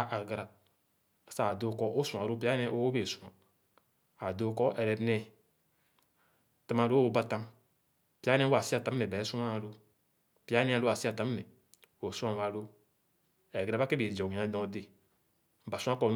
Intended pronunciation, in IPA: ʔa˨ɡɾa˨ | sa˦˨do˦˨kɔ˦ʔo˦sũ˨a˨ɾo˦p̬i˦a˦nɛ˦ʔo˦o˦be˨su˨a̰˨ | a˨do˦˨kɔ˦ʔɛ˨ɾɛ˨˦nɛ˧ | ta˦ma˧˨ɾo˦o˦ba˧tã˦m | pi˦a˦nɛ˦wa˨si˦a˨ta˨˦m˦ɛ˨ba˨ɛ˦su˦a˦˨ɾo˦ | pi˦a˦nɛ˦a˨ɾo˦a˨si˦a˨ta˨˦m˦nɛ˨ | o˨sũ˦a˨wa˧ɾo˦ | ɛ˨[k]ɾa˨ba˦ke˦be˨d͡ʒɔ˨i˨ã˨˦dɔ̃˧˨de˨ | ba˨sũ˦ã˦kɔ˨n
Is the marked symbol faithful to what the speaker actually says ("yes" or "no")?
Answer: no